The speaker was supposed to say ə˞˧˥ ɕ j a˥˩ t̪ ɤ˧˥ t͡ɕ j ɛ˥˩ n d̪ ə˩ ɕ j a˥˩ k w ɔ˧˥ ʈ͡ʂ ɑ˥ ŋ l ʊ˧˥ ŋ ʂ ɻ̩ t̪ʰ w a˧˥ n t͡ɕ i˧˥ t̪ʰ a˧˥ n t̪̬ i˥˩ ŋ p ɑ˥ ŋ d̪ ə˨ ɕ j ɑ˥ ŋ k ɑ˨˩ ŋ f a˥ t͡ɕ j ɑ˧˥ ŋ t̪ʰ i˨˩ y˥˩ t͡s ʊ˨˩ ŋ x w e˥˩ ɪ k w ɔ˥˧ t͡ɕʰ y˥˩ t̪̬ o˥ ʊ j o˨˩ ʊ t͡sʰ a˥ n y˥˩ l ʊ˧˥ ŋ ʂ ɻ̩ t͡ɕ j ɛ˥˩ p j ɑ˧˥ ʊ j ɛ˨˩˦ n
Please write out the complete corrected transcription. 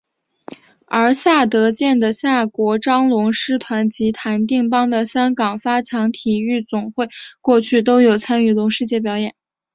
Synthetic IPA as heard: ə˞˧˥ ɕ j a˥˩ t̪ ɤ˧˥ t͡ɕ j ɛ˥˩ n d̪ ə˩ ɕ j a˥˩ k w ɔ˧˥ ʈ͡ʂ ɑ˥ ŋ l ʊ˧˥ ŋ ʂ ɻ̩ t̪ʰ w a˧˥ n t͡ɕ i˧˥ t̪ʰ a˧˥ n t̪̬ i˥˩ ŋ p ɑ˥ ŋ d̪ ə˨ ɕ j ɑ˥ ŋ k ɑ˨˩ ŋ f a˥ t͡ɕʰ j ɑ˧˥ ŋ t̪ʰ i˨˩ y˥˩ t͡s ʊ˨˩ ŋ x w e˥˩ ɪ k w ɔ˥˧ t͡ɕʰ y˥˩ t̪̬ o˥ ʊ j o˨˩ ʊ t͡sʰ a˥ n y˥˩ l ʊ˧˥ ŋ ʂ ɻ̩ t͡ɕ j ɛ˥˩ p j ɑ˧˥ ʊ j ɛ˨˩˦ n